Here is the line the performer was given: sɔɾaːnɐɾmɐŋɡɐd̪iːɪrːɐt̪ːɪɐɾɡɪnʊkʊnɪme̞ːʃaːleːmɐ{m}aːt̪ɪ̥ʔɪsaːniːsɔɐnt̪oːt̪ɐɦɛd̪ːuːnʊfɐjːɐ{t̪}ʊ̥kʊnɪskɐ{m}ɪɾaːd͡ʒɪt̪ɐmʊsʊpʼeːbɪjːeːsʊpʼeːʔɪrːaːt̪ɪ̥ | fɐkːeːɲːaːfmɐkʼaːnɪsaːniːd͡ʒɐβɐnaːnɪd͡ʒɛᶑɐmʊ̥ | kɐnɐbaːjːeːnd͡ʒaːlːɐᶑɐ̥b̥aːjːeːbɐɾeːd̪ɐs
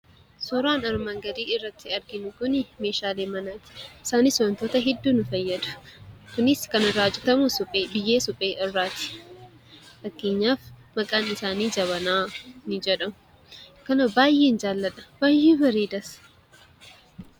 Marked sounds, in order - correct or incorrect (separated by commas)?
incorrect, incorrect, incorrect